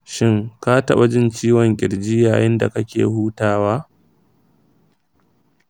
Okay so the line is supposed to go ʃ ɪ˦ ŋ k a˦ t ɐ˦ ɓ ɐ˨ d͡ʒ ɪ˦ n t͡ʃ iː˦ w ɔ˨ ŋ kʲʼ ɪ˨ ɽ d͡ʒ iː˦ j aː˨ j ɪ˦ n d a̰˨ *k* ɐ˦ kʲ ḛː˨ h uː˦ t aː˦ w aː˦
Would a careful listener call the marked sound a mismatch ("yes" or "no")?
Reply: no